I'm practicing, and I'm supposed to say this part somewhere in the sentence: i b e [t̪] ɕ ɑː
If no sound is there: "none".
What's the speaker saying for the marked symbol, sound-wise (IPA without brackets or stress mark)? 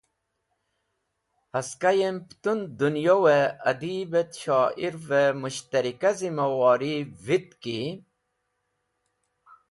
t̪